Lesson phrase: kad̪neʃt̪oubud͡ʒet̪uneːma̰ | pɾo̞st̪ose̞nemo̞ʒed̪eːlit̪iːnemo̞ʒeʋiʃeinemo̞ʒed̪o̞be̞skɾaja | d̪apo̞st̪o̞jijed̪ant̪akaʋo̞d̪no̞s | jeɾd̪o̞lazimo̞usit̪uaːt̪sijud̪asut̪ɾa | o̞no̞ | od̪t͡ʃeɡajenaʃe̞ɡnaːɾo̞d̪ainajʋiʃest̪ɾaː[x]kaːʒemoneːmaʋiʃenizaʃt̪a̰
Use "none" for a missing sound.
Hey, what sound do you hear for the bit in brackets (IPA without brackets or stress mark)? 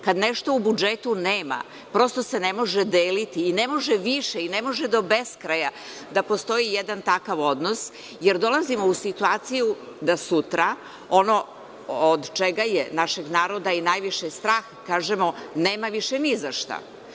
x